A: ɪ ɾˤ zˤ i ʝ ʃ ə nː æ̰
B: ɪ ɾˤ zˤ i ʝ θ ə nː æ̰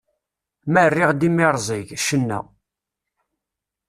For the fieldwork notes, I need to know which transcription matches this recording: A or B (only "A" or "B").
A